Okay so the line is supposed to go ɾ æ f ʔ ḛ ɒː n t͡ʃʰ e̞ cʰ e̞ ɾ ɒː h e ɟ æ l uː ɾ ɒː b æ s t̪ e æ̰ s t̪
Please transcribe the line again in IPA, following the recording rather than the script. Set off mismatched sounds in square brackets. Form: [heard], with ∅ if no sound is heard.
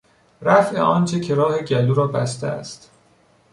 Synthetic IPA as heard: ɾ æ f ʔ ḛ ɒː n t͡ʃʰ e̞ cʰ e̞ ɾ ɒː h e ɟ æ l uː ɾ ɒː b æ s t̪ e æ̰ s t̪